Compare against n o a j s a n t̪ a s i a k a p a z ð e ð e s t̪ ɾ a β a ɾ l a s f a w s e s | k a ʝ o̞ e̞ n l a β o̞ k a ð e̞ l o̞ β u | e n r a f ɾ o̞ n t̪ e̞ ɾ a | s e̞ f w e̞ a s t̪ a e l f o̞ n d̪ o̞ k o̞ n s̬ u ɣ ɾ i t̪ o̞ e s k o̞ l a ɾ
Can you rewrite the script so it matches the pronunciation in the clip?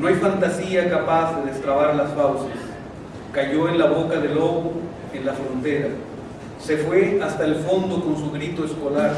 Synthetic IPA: n o a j f a n t̪ a s i a k a p a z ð e ð e s t̪ ɾ a β a ɾ l a s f a w s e s | k a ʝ o̞ e̞ n l a β o̞ k a ð e̞ l o̞ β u | e n l a f ɾ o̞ n t̪ e̞ ɾ a | s e̞ f w e̞ a s t̪ a e l f o̞ n d̪ o̞ k o̞ n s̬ u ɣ ɾ i t̪ o̞ e s k o̞ l a ɾ